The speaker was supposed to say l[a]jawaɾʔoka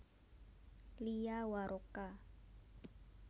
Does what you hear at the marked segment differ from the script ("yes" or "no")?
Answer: yes